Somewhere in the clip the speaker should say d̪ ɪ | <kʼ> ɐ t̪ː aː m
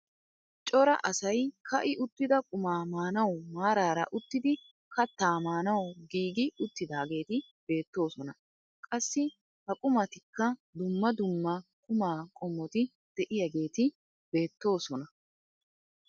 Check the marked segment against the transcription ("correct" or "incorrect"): incorrect